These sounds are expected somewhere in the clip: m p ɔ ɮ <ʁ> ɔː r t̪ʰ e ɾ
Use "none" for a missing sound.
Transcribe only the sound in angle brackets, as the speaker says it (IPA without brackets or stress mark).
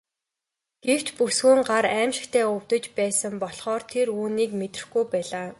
χ